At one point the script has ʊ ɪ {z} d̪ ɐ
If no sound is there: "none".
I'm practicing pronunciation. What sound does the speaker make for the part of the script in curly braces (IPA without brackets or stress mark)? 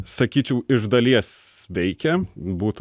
ʒ